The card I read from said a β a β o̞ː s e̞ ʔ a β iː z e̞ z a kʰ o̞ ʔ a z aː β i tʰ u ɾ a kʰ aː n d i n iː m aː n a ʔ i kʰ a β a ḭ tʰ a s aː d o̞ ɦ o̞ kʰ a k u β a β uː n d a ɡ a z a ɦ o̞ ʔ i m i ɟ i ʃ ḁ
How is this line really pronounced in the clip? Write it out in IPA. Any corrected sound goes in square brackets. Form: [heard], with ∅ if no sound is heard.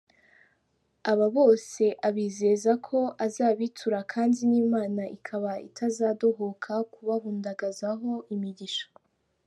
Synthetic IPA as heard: a β a β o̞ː s e̞ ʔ a β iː z e̞ z a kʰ o̞ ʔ a z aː β i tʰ u ɾ a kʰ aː n d i n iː m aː n a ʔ i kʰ a β a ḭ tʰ a [z] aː d o̞ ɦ o̞ kʰ a k u β a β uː n d a ɡ a z a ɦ o̞ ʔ i m i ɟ i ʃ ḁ